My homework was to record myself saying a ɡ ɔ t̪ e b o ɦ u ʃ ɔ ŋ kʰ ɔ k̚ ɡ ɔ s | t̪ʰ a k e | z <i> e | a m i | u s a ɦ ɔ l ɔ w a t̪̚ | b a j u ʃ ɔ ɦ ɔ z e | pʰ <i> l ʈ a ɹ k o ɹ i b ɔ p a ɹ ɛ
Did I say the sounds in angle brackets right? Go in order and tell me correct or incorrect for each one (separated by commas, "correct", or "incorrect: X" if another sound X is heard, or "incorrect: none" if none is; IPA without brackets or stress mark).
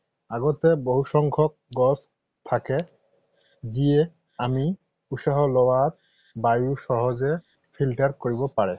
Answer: correct, correct